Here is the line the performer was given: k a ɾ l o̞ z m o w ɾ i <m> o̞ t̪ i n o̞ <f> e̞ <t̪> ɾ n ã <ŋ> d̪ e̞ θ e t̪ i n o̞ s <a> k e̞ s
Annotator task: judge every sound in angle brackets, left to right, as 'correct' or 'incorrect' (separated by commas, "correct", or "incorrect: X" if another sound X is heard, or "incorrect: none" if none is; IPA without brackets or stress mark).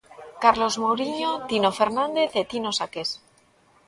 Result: incorrect: ɲ, correct, incorrect: none, incorrect: n, correct